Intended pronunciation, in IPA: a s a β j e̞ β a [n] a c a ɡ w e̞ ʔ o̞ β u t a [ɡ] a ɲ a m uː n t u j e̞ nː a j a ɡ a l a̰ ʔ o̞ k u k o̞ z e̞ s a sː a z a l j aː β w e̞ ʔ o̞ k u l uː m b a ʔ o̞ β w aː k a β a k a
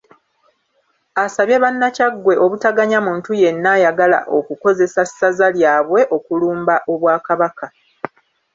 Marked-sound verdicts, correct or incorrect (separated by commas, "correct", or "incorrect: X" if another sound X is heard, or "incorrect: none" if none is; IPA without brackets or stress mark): incorrect: nː, correct